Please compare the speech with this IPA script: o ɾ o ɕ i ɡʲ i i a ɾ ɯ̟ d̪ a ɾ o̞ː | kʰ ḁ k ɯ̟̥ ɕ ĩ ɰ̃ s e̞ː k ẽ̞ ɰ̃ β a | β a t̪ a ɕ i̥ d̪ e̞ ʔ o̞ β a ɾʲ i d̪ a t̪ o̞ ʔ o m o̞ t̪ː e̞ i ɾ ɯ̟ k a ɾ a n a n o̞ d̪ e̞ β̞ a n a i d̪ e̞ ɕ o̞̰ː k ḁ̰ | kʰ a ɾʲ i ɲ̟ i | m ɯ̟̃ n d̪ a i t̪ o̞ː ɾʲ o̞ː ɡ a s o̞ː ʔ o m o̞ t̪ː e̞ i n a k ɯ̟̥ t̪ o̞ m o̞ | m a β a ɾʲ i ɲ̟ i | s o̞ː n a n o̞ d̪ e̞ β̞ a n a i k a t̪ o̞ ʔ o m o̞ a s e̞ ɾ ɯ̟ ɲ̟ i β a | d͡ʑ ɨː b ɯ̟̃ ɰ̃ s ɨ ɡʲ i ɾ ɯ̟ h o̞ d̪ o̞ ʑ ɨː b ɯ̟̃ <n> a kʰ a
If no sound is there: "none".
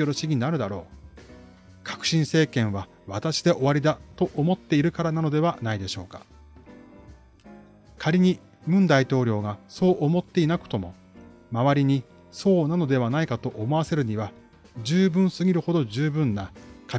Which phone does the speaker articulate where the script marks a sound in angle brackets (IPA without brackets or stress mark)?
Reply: nː